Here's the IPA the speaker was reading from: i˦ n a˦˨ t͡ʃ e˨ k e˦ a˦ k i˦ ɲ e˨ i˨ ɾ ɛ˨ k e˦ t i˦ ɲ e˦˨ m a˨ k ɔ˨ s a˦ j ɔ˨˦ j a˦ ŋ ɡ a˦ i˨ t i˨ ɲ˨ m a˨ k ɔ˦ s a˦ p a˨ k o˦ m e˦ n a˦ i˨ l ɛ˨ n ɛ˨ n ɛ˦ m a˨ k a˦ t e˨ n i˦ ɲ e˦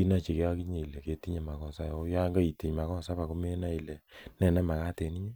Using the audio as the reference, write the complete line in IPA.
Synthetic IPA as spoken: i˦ n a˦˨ t͡ʃ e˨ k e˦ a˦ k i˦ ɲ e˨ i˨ l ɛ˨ k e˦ t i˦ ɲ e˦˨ m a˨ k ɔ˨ s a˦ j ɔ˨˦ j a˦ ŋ ɡ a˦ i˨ t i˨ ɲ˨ m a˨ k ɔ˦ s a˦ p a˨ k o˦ m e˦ n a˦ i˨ l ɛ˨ n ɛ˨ n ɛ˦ m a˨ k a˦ t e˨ n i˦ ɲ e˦